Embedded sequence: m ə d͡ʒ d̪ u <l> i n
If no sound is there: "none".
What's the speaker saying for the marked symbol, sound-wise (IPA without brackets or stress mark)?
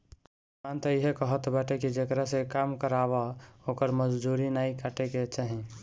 ɾ